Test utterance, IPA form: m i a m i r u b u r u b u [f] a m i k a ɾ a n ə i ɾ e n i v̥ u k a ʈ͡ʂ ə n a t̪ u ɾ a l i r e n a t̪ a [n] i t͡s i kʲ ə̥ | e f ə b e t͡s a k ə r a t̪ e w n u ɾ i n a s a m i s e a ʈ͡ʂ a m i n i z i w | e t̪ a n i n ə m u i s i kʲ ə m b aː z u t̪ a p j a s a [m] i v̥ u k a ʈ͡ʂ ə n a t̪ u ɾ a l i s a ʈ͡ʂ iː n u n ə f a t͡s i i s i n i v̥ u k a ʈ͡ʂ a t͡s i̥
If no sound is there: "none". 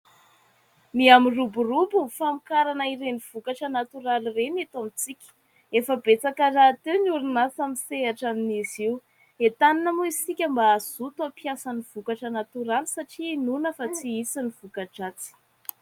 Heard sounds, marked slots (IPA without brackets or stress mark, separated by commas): f, m, n